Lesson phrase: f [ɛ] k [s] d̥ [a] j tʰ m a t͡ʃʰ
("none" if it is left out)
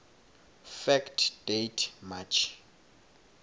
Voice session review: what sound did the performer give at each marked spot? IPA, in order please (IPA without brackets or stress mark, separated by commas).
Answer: ɛ, t, e